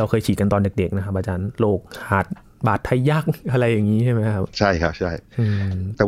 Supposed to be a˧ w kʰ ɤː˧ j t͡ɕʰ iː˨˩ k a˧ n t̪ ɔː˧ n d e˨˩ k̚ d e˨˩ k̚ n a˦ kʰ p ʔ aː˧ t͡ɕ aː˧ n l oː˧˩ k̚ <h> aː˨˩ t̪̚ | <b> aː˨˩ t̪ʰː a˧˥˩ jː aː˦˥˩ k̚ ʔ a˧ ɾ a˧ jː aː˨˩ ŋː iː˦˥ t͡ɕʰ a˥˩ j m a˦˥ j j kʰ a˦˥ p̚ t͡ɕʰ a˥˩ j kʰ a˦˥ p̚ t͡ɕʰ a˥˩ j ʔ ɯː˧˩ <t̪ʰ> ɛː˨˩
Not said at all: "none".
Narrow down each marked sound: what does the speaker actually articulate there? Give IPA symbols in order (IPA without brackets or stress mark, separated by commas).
h, b, t̪